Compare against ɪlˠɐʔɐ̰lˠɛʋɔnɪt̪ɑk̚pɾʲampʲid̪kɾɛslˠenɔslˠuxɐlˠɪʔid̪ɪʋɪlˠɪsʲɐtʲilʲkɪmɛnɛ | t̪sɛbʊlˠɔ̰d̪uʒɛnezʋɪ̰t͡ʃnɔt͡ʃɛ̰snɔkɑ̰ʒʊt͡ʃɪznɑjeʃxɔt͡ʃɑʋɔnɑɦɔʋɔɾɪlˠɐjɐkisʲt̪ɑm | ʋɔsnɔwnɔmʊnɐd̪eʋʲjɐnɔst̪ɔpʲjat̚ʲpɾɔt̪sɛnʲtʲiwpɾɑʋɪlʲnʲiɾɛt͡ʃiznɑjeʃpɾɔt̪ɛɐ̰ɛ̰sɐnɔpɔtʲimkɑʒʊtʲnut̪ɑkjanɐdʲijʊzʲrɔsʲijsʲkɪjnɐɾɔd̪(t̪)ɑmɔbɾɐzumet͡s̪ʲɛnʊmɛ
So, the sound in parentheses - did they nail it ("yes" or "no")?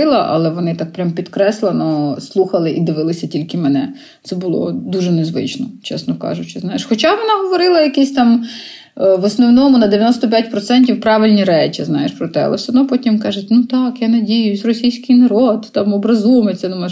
yes